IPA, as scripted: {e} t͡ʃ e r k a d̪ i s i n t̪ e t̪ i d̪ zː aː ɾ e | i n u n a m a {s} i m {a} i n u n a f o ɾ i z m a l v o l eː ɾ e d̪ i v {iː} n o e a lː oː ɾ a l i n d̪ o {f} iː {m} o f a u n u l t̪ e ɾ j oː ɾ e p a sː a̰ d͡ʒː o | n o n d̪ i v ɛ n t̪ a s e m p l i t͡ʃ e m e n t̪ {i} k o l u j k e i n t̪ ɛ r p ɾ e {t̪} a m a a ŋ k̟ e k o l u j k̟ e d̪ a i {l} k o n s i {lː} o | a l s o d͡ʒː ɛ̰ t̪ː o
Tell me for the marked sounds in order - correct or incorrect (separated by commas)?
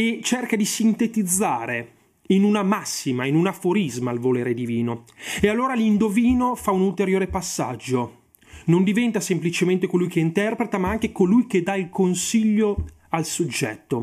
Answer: correct, incorrect, correct, correct, incorrect, incorrect, incorrect, correct, correct, incorrect